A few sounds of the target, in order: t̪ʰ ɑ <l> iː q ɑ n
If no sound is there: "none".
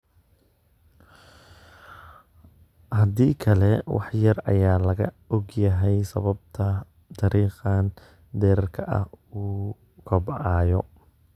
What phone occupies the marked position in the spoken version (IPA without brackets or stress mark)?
ɾ